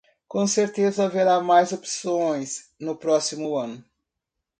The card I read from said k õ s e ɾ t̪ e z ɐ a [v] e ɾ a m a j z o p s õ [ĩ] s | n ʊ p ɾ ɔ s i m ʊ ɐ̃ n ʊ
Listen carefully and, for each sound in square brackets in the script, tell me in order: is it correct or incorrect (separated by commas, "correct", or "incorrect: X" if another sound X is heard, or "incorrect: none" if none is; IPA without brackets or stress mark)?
correct, incorrect: j̃